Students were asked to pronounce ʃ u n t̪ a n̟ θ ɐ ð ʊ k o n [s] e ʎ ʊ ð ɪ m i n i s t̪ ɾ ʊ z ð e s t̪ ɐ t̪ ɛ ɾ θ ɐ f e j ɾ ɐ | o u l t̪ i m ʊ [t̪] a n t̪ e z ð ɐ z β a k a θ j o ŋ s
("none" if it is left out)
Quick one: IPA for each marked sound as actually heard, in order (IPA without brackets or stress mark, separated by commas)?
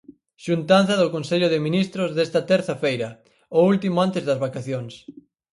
s, none